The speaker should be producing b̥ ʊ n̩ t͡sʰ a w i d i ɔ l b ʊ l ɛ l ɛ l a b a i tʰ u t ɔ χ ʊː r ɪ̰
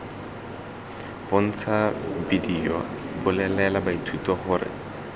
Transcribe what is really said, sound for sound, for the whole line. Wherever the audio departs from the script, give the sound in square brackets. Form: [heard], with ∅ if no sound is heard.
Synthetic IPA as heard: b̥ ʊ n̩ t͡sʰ a [b] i d i ɔ [∅] b ʊ l ɛ l ɛ l a b a i tʰ u t ɔ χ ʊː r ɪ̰